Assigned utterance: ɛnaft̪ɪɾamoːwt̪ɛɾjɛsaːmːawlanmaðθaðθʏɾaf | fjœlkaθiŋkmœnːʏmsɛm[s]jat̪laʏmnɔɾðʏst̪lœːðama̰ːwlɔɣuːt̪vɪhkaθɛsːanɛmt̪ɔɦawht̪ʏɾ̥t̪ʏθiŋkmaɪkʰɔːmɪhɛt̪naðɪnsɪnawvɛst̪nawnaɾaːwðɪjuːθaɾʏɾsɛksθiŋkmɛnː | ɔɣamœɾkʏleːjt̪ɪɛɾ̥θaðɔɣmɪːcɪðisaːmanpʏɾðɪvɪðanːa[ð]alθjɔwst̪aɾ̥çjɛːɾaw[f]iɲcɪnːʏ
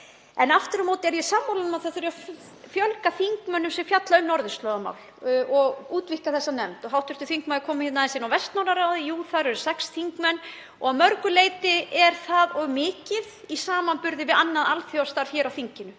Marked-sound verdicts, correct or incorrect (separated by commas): incorrect, correct, incorrect